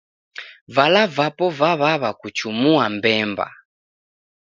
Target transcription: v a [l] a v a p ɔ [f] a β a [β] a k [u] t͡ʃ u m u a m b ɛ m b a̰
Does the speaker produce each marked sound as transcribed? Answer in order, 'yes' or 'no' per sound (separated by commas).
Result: yes, no, yes, yes